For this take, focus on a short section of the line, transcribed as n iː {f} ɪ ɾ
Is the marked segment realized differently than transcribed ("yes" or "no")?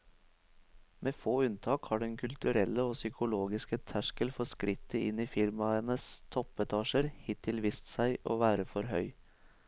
no